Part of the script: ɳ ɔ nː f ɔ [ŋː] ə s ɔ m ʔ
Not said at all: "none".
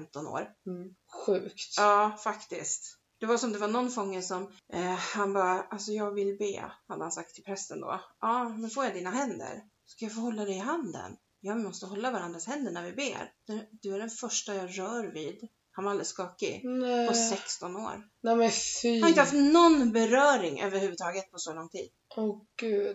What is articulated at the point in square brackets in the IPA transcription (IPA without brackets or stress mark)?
ŋː